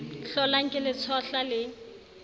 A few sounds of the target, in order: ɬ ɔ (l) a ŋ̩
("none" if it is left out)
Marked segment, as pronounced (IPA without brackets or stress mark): l